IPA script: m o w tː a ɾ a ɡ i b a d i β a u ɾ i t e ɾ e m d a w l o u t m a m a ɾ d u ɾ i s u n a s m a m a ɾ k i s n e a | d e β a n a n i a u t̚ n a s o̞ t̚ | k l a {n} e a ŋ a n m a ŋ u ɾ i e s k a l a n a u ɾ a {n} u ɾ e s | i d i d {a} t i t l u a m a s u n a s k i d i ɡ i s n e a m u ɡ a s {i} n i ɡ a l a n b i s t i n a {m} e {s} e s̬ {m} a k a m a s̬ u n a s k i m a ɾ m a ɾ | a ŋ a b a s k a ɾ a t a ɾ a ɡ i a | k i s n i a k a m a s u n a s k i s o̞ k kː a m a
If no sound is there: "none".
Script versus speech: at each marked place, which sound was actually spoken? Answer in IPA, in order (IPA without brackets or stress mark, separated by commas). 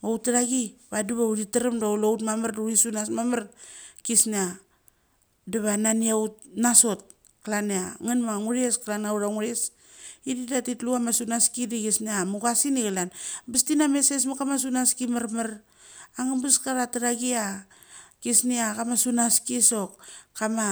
n, ŋ, a, i, m, s, m